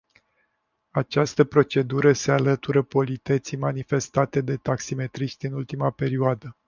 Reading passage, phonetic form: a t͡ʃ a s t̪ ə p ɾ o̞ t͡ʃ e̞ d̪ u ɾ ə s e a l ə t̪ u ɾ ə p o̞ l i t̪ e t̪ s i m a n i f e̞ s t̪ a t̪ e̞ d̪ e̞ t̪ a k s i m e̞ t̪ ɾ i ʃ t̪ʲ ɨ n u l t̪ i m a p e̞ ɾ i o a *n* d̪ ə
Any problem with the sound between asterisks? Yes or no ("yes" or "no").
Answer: yes